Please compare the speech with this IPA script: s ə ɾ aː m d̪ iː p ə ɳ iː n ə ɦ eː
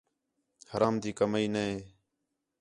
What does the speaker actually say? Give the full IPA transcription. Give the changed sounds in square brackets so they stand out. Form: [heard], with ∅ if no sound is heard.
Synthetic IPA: [h] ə ɾ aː m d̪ iː [k] ə [m] iː n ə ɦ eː